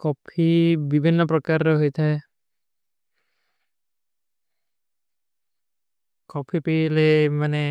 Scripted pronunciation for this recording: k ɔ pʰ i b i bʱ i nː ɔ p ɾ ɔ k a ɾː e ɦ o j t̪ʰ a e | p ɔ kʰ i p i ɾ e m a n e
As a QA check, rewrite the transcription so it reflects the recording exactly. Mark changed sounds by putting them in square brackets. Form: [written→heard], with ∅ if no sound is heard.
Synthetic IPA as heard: k ɔ pʰ i b i bʱ i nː ɔ p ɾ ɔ k a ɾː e ɦ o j t̪ʰ a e | [p→k] ɔ [kʰ→pʰ] i p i [ɾ→l] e m a n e